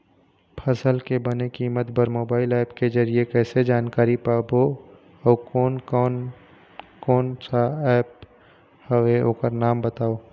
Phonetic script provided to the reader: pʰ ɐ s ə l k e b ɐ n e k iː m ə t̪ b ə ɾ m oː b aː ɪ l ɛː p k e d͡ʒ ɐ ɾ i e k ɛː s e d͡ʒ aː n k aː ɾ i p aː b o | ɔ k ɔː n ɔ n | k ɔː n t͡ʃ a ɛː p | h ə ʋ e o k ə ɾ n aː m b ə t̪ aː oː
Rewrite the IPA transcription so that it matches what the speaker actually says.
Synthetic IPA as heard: pʰ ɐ s ə l k e b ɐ n e k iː m ə t̪ b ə ɾ m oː b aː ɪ l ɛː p k e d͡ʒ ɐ ɾ i e k ɛː s e d͡ʒ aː n k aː ɾ i p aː b o | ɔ k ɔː n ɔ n | k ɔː n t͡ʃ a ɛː p | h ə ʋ e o k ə ɾ n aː m b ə t̪ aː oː